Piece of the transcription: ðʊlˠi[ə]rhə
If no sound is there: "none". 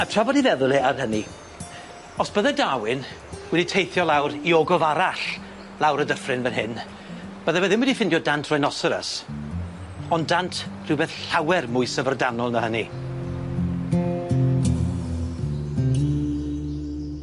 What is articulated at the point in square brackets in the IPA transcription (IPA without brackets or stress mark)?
a